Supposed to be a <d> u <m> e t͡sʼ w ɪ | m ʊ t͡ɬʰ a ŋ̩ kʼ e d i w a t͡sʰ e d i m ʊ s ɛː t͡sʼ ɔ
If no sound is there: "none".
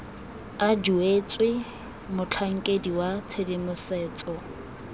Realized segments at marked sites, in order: d͡ʒ, none

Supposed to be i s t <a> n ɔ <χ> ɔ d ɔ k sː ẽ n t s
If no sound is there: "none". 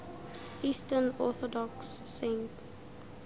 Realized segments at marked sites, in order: ə, θ

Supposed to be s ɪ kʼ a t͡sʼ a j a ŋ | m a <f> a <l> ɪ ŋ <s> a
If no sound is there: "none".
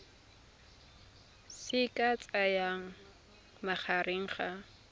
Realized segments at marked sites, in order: χ, ɾ, χ

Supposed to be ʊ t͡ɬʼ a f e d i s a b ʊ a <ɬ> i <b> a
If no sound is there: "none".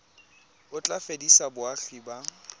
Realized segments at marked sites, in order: ɬ, b

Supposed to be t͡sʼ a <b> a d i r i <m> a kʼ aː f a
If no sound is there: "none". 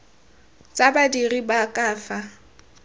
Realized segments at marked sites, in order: b, b

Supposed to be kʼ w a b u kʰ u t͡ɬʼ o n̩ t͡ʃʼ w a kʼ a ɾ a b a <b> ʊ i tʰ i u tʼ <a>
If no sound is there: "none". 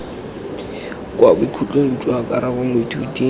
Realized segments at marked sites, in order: m, i

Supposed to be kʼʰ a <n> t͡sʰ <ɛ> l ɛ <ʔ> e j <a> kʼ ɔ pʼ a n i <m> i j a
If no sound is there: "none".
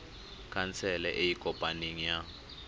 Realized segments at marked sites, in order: n, ɛ, ʔ, i, ŋ

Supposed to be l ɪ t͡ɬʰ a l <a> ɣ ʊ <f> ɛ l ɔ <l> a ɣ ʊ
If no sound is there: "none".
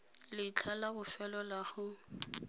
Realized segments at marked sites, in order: a, f, l

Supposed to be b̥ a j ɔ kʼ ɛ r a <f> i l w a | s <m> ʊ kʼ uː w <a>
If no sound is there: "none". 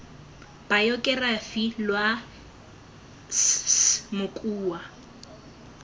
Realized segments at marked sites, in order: f, m, a

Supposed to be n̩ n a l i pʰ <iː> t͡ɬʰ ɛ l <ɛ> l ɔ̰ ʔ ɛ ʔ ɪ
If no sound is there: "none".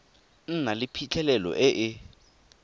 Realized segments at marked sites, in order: i, ɛ

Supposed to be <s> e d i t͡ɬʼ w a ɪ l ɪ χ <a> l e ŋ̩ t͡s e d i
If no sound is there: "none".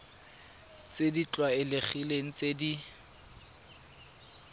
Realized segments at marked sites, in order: t͡s, i

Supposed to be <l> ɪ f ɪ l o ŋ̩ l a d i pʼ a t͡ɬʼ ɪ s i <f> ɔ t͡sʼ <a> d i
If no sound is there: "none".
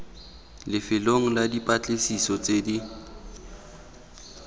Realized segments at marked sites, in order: l, s, e

